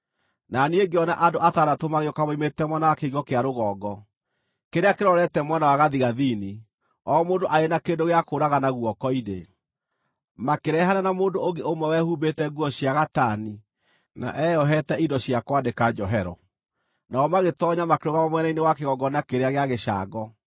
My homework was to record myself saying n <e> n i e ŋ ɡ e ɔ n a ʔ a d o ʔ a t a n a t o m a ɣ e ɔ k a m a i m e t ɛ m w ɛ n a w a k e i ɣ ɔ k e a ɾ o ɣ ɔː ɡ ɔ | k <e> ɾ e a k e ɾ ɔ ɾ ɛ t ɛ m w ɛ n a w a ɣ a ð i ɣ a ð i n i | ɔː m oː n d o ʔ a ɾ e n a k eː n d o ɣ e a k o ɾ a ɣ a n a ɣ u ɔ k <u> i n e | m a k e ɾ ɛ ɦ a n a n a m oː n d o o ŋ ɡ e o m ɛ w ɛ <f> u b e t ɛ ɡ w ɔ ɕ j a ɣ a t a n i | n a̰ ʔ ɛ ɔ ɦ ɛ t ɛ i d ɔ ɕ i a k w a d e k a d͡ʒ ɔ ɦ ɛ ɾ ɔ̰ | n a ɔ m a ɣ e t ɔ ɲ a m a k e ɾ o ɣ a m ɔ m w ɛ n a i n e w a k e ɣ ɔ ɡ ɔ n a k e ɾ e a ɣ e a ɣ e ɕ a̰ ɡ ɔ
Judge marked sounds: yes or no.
no, yes, no, no

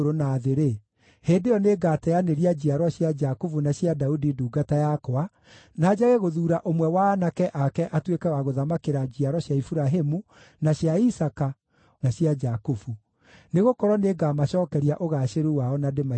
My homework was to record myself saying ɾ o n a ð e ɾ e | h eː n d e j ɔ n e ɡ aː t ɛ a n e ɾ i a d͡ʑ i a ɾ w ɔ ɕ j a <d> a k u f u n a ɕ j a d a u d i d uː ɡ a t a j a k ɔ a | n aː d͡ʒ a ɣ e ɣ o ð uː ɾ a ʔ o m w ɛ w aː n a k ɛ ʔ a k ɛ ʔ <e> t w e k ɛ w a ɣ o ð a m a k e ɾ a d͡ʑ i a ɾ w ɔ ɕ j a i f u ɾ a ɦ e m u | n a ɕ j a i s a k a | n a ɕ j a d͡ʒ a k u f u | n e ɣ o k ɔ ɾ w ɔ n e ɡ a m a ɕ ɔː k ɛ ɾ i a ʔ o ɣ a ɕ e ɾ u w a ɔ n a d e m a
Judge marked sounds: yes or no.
no, no

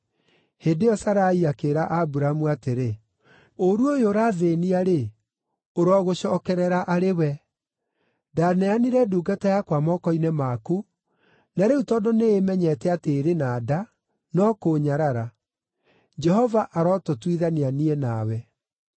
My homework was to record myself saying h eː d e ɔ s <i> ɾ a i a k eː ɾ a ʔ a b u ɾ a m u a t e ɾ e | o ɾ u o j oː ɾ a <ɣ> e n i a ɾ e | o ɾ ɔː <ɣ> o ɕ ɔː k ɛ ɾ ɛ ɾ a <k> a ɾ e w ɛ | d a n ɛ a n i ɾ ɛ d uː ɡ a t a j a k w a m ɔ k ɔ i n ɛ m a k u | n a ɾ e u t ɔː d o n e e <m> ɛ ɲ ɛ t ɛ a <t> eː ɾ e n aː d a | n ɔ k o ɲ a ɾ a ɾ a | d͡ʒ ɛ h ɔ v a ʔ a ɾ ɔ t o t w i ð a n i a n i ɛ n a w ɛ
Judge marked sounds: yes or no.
no, no, yes, no, yes, yes

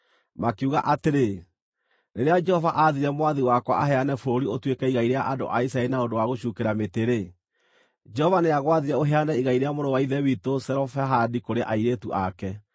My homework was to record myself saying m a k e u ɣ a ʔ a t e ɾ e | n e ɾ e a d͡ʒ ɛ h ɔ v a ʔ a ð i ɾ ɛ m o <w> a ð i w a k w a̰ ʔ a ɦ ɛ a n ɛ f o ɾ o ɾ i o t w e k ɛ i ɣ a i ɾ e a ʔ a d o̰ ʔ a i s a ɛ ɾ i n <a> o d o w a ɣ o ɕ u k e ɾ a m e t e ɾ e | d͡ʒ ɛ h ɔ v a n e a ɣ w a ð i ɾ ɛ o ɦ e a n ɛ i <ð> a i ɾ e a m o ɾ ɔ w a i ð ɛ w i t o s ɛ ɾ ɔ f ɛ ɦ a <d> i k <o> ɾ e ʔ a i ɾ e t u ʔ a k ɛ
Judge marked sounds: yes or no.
yes, yes, no, yes, yes

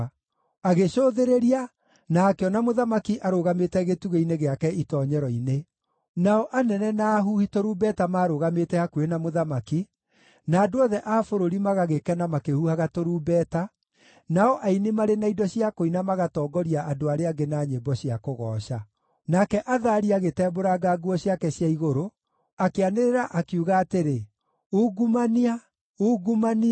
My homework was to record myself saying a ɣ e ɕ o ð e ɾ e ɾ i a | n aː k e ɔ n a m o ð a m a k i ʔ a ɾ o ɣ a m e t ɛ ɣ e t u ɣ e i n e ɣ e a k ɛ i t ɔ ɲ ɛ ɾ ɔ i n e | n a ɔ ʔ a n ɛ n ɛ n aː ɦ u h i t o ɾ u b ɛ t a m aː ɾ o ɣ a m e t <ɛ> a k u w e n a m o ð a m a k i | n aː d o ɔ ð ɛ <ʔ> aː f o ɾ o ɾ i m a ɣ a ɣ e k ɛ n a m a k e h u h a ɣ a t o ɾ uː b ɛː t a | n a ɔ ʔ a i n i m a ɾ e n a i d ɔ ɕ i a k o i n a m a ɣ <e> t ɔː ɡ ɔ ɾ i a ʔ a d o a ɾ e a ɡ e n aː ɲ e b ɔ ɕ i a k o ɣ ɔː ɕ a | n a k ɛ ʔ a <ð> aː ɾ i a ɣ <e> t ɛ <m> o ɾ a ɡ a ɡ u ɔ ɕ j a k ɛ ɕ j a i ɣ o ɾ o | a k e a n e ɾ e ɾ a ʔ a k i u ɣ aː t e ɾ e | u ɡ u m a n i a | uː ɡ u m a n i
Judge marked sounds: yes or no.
yes, yes, no, yes, yes, no

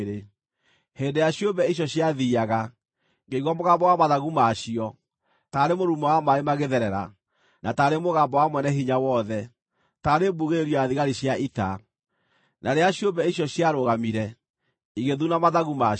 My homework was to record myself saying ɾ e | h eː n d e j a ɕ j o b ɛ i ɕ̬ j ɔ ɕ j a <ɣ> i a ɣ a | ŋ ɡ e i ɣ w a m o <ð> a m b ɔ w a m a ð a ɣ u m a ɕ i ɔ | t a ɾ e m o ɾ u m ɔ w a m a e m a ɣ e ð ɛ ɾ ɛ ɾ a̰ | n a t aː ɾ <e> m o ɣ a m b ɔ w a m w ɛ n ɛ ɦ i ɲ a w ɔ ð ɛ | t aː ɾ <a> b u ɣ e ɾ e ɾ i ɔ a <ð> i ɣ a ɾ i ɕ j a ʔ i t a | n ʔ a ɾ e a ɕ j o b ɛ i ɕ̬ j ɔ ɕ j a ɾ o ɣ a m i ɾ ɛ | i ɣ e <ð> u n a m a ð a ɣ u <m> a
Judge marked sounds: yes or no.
no, no, yes, no, yes, yes, yes

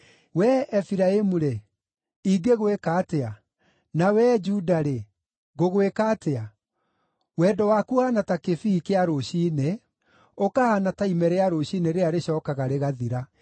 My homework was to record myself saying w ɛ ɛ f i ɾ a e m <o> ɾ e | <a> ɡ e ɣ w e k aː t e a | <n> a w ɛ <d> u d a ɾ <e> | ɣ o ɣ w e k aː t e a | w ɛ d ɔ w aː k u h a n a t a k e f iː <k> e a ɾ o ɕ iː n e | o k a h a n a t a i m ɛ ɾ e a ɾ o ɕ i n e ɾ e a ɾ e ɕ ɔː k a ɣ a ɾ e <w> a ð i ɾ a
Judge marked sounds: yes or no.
no, no, yes, no, yes, yes, no

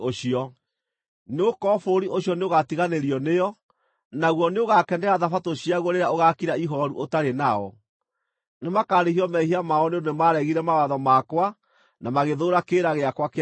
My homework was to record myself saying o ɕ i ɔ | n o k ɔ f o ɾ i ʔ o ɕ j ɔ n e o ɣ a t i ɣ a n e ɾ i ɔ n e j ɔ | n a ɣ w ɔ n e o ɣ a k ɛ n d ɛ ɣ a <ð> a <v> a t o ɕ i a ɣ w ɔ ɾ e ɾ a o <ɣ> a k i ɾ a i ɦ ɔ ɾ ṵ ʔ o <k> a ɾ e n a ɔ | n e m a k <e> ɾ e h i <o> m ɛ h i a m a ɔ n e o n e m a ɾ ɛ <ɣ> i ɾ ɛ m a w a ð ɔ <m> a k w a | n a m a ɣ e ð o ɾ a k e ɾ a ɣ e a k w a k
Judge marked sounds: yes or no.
yes, no, yes, no, no, no, yes, yes

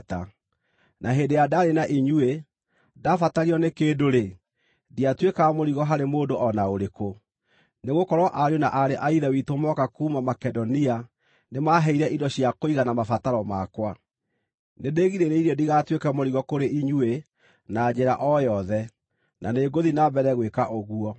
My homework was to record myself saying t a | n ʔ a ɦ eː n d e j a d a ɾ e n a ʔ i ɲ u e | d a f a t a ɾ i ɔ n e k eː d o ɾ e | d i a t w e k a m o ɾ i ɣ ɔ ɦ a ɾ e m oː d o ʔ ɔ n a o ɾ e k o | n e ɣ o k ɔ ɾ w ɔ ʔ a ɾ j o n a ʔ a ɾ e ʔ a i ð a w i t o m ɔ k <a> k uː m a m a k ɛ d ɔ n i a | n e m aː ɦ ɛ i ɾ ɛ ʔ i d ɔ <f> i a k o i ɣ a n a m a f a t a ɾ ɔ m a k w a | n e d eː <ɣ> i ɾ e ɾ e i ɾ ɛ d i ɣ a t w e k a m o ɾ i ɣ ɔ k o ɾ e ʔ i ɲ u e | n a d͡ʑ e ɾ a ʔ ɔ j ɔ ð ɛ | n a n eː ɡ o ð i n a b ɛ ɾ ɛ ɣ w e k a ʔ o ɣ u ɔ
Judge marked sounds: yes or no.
yes, no, yes

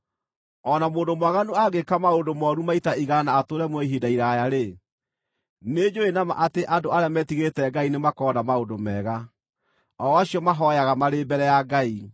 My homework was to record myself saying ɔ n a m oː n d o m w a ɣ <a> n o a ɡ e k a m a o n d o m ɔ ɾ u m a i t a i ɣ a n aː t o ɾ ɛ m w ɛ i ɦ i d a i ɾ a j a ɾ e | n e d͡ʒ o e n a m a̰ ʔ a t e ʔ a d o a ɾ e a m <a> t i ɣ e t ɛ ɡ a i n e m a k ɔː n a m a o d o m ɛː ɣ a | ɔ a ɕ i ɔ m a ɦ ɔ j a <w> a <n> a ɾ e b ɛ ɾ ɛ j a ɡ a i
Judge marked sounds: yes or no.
yes, no, no, no

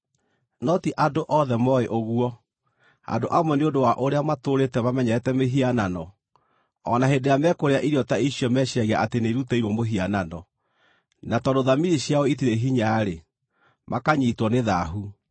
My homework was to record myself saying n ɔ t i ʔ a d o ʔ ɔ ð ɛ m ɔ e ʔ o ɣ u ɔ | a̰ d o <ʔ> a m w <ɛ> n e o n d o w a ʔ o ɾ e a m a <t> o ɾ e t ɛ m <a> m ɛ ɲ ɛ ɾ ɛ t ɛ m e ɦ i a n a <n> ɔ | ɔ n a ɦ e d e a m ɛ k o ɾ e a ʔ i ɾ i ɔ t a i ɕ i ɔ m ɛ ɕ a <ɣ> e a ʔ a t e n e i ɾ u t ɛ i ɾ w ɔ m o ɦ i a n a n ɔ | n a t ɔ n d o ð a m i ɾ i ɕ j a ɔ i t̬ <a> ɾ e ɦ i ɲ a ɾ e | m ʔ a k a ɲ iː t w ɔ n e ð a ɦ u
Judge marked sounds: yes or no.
yes, yes, yes, yes, yes, yes, no

